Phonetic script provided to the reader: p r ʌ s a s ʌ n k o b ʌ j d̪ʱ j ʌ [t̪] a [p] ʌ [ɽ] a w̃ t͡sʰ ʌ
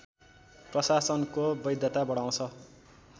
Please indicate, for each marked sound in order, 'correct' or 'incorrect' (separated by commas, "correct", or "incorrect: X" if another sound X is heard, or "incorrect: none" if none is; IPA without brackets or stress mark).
correct, incorrect: b, correct